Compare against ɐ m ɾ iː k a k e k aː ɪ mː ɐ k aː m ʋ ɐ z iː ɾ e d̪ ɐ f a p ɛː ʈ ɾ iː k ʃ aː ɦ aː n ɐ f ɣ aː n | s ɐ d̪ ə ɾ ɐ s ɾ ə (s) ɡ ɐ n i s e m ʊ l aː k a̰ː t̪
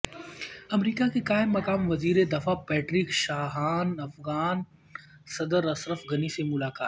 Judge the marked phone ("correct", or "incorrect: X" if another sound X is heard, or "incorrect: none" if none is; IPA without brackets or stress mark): incorrect: f